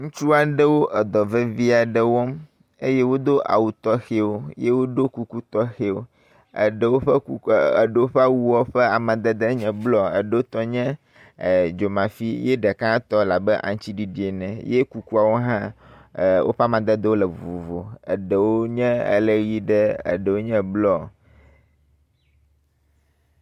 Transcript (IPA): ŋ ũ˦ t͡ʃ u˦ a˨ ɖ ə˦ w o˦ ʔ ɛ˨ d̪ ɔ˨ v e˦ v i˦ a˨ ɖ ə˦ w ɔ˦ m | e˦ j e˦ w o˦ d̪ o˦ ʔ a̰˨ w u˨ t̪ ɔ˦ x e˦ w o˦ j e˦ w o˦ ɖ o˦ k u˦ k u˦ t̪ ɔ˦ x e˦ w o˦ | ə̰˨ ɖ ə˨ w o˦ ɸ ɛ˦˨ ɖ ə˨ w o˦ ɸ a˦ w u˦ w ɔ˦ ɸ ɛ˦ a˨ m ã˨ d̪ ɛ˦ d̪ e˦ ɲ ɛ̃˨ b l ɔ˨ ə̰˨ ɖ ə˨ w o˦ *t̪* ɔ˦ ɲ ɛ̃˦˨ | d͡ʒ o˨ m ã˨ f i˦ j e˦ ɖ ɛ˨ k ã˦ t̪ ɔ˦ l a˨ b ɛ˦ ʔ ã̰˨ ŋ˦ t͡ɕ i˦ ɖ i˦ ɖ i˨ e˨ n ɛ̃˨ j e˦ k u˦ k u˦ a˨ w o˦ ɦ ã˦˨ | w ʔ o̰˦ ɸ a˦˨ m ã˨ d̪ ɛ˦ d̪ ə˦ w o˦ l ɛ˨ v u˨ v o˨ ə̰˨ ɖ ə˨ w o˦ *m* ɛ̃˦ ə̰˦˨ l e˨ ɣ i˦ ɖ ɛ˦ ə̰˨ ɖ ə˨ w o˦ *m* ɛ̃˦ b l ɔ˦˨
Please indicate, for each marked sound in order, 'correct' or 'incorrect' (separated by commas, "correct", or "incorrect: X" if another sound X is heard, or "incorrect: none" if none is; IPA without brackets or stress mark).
correct, incorrect: ɲ, incorrect: ɲ